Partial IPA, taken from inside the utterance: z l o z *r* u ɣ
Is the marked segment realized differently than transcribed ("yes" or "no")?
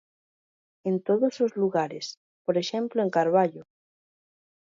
yes